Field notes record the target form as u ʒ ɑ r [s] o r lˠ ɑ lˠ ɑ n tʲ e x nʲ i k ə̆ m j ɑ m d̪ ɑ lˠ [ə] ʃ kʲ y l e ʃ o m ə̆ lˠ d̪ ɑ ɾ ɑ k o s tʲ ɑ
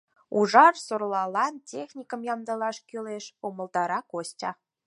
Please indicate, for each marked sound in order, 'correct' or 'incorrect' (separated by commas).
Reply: correct, incorrect